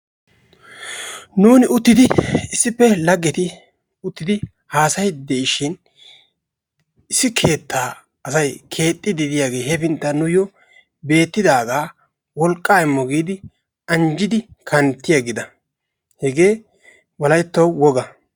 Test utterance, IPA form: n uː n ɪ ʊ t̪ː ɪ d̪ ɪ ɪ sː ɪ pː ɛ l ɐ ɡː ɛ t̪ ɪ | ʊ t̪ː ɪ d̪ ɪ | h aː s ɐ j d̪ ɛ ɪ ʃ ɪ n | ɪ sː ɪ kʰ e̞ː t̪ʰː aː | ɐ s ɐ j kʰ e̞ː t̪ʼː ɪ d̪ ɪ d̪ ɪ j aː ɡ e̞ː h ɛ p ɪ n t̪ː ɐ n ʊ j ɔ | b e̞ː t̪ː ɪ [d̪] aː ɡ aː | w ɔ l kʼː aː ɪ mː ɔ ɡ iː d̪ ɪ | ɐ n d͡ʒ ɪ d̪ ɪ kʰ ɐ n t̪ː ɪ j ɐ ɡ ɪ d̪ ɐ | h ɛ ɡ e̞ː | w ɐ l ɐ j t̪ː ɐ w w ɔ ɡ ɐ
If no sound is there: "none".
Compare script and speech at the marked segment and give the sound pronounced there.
d̪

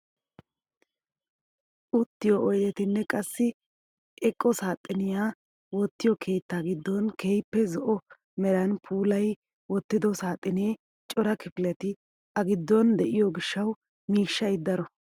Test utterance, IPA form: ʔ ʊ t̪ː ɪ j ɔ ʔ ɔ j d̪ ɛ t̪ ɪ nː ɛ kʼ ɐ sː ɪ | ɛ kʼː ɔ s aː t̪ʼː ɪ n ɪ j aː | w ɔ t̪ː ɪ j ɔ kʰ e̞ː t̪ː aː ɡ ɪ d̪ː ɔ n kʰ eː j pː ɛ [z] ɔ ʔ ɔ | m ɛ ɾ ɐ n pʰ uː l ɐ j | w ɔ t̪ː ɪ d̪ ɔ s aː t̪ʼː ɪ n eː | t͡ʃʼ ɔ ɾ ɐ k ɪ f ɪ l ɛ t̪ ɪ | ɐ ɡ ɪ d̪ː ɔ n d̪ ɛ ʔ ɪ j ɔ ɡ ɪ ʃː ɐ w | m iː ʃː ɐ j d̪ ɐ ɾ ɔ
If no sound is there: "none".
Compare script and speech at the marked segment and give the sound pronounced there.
z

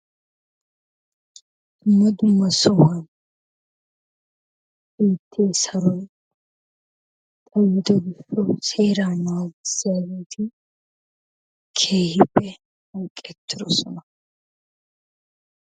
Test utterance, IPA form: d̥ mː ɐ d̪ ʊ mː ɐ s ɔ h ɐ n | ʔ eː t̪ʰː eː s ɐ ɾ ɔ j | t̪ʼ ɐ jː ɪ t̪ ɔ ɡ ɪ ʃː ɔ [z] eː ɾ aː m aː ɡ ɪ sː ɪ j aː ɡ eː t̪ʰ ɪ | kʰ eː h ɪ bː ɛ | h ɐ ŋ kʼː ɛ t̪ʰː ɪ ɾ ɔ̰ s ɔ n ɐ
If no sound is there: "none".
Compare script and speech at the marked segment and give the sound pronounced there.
s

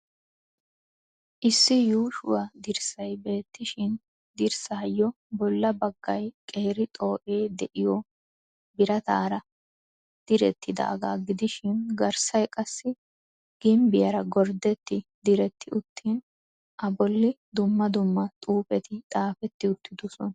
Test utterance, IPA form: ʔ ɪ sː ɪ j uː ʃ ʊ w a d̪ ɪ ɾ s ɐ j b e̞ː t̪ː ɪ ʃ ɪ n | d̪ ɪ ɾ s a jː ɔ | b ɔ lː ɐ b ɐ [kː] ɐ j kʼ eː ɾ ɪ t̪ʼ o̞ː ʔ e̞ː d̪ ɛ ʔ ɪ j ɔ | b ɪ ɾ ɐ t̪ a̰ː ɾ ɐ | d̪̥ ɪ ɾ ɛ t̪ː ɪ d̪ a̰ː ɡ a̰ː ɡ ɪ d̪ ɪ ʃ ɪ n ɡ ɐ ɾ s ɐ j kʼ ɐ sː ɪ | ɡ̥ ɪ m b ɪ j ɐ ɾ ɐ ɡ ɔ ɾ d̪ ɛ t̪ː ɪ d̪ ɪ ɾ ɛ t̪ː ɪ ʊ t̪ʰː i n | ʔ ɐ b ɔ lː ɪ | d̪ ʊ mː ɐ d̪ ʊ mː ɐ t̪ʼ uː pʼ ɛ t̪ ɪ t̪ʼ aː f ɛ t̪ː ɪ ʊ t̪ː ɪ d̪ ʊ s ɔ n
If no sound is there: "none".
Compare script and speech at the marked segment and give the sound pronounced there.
ɡː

